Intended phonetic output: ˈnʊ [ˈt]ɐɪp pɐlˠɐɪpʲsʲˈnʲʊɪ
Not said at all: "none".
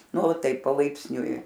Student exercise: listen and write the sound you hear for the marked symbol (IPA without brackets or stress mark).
t